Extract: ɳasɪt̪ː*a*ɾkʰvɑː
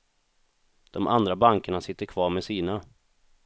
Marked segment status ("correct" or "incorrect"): incorrect